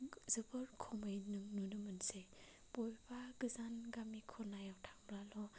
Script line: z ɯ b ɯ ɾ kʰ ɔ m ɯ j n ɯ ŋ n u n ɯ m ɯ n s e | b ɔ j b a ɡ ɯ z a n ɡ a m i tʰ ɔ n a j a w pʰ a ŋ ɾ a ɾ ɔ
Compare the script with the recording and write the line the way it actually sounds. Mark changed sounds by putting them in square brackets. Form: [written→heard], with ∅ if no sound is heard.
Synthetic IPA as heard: z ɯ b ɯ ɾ kʰ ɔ m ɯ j n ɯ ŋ n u n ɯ m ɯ n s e | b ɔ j b a ɡ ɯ z a n ɡ a m i [tʰ→kʰ] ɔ n a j a w [pʰ→tʰ] a ŋ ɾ a [ɾ→l] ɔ